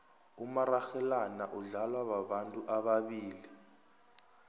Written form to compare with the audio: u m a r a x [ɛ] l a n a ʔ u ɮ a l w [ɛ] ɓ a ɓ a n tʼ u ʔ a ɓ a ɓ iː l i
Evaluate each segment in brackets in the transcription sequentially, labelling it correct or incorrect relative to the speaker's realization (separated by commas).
correct, incorrect